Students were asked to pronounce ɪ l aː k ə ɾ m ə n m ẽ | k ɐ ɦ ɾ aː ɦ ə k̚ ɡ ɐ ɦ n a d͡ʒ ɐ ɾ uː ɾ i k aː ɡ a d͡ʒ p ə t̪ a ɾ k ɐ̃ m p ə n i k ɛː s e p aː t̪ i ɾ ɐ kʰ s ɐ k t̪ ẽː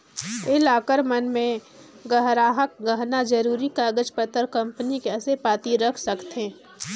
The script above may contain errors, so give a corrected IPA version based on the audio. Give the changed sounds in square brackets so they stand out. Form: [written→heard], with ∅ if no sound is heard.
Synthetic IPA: ɪ l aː k ə ɾ m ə n m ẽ | [k→ɡ] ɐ ɦ ɾ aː ɦ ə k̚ ɡ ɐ ɦ n a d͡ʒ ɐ ɾ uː ɾ i k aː ɡ [a→ə] d͡ʒ p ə t̪ [a→ə] ɾ k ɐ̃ m p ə n i k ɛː s e p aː t̪ i ɾ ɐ kʰ s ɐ k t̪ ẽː